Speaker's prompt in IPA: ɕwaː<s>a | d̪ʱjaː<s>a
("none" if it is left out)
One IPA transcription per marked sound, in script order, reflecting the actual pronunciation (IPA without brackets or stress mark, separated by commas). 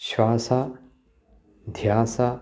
s, s